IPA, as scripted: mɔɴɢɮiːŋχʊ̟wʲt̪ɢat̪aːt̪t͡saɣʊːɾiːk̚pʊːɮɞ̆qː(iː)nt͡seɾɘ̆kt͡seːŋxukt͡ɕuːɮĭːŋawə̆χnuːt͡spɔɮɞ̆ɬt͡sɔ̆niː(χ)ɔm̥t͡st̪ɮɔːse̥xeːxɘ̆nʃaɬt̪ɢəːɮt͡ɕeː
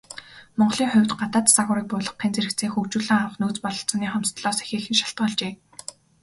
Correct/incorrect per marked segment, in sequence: correct, correct

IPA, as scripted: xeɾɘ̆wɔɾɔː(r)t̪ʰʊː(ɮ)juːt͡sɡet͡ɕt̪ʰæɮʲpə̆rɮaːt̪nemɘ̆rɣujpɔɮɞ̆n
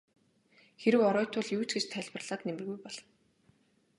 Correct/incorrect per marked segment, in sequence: incorrect: none, correct

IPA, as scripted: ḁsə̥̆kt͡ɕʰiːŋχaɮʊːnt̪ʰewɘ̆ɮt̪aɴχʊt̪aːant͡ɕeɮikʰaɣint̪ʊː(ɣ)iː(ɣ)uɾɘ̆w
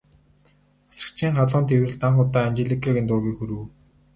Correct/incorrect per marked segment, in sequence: correct, incorrect: x

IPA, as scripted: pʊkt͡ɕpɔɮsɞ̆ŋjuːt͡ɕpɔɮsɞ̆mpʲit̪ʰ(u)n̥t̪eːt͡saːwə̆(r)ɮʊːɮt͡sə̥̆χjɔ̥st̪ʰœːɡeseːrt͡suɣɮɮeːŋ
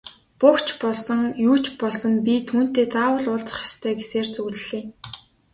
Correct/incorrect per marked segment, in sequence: incorrect: uː, incorrect: none

